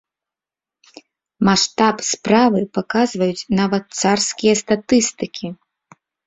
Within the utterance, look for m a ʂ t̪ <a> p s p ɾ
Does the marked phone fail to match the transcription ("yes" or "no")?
no